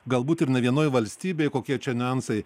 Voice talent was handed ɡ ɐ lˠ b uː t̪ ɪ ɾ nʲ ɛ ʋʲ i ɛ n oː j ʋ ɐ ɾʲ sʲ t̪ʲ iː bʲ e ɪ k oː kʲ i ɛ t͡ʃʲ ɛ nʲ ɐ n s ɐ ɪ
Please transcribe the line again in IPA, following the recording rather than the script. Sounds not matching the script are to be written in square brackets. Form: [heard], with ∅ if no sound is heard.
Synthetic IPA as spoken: ɡ ɐ lˠ b uː t̪ ɪ ɾ nʲ ɛ ʋʲ i ɛ n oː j ʋ ɐ [lʲ] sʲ t̪ʲ iː bʲ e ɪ k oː kʲ i ɛ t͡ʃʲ ɛ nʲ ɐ n s ɐ ɪ